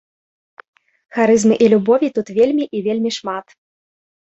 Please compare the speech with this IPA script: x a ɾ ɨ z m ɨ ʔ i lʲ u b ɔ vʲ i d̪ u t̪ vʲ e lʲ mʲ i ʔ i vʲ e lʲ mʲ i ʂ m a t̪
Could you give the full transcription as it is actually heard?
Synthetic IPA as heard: x a ɾ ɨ z m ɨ ʔ i lʲ u b ɔ vʲ i t̪ u t̪ vʲ e lʲ mʲ i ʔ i vʲ e lʲ mʲ i ʂ m a t̪

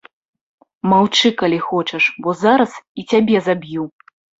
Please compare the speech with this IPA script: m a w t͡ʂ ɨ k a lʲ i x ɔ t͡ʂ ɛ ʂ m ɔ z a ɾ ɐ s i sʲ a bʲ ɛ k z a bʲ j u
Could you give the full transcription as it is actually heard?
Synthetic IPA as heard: m a w t͡ʂ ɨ k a lʲ i x ɔ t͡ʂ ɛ ʂ b ɔ z a ɾ ɐ s i t͡sʲ a bʲ ɛ z a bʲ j u

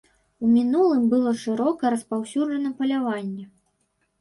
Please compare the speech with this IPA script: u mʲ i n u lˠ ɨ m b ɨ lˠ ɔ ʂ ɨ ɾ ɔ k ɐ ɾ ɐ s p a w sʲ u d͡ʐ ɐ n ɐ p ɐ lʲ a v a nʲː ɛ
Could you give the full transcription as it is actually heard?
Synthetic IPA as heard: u mʲ i n u lˠ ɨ m b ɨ lˠ ɔ ʂ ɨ ɾ ɔ k ɐ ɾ ɐ s p a w sʲ u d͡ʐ ɐ n ɐ p ɐ lʲ a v a nʲː ɛ

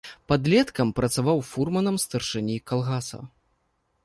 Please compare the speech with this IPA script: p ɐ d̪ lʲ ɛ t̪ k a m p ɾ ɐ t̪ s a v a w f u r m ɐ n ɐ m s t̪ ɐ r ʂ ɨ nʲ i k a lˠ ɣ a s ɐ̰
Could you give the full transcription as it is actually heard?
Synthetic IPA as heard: p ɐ d̪ lʲ ɛ t̪ k ɐ m p ɾ ɐ t̪ s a v a w f u r m ɐ n ɐ m s t̪ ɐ r ʂ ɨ nʲ i k a lˠ ɣ a s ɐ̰

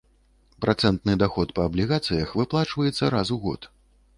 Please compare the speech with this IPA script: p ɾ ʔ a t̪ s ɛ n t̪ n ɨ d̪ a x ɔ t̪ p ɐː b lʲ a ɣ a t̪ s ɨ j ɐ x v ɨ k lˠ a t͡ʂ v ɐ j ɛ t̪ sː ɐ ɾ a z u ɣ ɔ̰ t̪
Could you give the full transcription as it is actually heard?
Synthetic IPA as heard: p ɾ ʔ a t̪ s ɛ n t̪ n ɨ d̪ a x ɔ t̪ p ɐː b lʲ i ɣ a t̪ s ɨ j ɐ x v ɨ p lˠ a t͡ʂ v ɐ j ɛ t̪ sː ɐ ɾ a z u ɣ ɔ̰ t̪

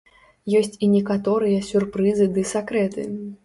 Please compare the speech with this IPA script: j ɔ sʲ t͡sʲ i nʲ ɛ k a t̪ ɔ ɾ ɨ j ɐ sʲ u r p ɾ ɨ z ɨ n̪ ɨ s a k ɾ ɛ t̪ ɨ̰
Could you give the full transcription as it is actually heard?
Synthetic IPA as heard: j ɔ sʲ t͡sʲ i nʲ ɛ k a t̪ ɔ ɾ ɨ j ɐ sʲ u r p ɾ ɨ z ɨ d̪ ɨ s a k ɾ ɛ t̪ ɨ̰

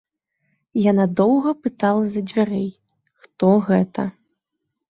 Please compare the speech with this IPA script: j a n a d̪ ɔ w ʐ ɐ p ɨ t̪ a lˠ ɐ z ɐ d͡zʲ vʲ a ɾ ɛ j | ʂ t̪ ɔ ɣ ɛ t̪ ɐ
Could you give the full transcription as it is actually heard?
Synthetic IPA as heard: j a n a d̪ ɔ w ɣ ɐ p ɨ t̪ a lˠ ɐ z ɐ d͡zʲ vʲ a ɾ ɛ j | x t̪ ɔ ɣ ɛ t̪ ɐ

